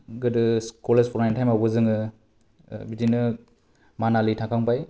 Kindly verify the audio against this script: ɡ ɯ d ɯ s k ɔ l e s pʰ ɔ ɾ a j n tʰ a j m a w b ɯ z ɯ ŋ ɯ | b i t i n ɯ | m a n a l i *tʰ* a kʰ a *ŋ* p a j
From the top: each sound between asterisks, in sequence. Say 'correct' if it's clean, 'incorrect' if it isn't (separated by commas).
correct, correct